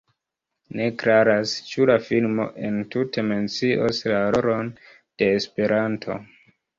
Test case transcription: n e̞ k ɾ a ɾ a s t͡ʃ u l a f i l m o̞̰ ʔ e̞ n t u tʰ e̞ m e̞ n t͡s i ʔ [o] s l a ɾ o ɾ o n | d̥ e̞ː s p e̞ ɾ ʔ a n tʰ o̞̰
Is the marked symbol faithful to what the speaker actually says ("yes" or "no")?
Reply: yes